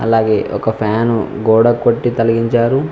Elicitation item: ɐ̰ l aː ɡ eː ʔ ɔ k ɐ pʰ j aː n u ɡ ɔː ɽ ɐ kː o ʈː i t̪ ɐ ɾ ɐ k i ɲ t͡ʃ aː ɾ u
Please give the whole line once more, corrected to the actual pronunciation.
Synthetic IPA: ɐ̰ l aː ɡ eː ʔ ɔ k ɐ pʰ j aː n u ɡ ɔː ɽ ɐ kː o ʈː i t̪ ɐ l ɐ ɡ i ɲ t͡ʃ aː ɾ u

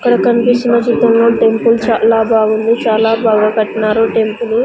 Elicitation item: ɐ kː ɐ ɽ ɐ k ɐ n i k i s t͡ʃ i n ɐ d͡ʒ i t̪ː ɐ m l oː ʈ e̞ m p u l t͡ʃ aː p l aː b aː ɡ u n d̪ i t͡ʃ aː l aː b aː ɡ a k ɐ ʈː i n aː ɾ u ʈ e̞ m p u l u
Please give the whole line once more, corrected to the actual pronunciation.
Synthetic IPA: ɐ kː ɐ ɽ ɐ k ɐ n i p i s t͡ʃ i n ɐ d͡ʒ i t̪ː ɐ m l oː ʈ e̞ m p u l t͡ʃ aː l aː b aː ɡ u n d̪ i t͡ʃ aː l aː b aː ɡ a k ɐ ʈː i n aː ɾ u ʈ e̞ m p u l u

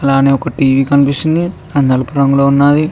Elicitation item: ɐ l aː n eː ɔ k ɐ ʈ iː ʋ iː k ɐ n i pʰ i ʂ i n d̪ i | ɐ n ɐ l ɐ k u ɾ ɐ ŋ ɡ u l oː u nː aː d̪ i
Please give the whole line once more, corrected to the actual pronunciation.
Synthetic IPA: ɐ l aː n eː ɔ k ɐ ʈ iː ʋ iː k ɐ n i p i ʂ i n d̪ i | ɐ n ɐ l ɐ p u ɾ ɐ ŋ ɡ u l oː u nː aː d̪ i

